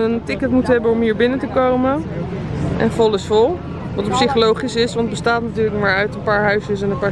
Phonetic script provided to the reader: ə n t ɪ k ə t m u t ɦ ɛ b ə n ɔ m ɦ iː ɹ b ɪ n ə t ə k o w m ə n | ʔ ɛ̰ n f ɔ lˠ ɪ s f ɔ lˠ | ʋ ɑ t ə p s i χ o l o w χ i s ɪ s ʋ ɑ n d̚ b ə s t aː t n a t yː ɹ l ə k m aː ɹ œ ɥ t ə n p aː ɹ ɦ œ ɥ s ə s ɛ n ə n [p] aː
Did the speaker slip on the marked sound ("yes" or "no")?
no